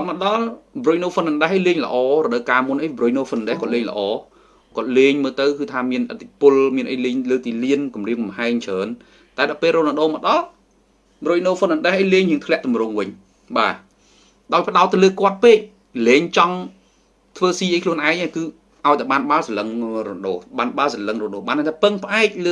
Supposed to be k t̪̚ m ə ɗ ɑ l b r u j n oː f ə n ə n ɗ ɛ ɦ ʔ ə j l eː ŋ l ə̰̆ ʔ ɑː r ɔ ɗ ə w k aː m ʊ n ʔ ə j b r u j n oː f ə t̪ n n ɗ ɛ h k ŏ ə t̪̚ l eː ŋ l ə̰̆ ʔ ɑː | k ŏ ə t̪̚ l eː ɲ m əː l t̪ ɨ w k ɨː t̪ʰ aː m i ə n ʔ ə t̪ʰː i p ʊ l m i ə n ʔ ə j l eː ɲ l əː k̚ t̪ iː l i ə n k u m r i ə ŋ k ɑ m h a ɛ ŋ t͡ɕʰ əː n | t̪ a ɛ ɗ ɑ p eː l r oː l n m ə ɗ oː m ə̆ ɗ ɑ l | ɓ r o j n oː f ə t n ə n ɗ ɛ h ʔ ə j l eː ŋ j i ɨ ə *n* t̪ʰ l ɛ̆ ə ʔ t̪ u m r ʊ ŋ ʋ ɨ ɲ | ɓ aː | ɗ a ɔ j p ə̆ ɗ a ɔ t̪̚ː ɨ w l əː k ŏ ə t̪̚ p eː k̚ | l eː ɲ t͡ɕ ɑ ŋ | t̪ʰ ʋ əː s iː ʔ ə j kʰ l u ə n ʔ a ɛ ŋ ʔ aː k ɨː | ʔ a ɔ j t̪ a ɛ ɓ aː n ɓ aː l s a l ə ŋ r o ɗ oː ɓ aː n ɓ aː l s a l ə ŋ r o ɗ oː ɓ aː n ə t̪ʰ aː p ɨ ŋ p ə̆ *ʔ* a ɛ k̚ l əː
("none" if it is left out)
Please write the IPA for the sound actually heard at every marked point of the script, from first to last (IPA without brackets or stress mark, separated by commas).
ŋ, ʔ